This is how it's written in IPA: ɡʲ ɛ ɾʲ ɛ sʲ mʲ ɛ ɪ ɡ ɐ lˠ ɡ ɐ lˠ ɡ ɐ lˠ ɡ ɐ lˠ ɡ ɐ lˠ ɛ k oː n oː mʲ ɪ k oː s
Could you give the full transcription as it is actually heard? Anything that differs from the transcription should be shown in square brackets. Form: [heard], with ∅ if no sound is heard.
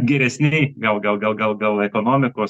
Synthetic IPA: ɡʲ ɛ ɾʲ ɛ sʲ [nʲ] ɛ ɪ ɡ ɐ lˠ ɡ ɐ lˠ ɡ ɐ lˠ ɡ ɐ lˠ ɡ ɐ lˠ ɛ k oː n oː mʲ ɪ k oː s